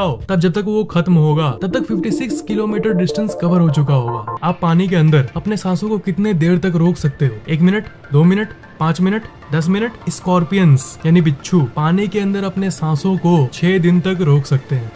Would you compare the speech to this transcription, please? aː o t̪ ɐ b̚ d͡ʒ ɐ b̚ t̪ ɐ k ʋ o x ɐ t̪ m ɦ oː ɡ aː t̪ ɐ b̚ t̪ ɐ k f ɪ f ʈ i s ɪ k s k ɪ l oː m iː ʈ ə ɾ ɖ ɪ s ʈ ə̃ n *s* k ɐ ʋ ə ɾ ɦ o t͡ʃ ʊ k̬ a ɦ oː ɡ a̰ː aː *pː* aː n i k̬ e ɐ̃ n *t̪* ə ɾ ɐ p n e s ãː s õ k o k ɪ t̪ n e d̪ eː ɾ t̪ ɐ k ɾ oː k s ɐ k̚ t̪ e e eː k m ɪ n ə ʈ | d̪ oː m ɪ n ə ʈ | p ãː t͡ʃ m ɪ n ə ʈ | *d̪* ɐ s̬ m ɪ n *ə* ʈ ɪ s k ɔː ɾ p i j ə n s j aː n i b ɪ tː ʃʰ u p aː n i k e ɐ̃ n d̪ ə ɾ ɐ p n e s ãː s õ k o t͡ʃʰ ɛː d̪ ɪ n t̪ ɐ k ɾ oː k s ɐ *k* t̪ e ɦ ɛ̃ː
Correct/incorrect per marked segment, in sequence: correct, correct, incorrect: d̪, correct, correct, correct

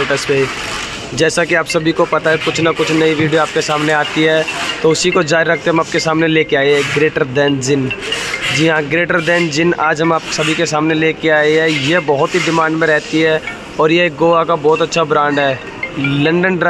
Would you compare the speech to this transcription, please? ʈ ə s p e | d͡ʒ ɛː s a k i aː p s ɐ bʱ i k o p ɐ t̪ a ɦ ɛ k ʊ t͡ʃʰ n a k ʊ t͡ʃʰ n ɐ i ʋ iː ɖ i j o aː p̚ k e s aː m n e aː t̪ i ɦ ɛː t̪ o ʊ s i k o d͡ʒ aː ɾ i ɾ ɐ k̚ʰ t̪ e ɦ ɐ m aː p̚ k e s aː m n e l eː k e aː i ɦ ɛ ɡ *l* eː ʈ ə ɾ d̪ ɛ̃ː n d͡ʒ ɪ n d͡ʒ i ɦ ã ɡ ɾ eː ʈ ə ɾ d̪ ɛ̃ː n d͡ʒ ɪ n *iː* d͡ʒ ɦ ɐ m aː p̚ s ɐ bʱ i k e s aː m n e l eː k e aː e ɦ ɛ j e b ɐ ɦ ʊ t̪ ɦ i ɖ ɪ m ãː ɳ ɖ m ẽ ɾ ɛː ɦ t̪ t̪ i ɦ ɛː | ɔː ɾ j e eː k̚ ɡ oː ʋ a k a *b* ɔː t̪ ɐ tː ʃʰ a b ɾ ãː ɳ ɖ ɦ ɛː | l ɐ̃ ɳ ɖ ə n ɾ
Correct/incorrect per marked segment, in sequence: incorrect: ɾ, incorrect: aː, correct

